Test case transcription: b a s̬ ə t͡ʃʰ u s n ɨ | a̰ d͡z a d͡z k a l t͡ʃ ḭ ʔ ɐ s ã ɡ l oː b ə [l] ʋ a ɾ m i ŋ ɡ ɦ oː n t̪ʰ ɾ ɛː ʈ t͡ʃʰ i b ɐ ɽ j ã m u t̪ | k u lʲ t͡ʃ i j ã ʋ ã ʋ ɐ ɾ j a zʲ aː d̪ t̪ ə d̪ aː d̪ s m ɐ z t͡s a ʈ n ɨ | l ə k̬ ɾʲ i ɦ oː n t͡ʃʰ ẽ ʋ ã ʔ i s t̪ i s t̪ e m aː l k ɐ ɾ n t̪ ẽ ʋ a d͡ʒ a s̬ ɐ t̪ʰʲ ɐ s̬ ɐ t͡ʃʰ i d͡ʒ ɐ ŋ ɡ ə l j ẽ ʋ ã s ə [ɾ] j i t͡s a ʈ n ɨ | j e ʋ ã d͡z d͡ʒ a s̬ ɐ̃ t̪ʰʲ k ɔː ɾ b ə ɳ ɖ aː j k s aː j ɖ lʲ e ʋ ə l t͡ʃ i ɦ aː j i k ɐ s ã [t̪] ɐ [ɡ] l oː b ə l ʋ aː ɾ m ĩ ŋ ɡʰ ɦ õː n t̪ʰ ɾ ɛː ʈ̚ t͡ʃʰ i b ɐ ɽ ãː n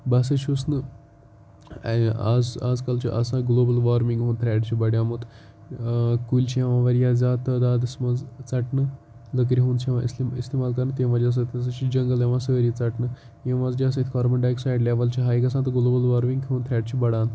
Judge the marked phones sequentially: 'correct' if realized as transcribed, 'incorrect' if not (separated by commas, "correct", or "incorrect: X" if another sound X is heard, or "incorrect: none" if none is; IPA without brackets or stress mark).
correct, correct, correct, correct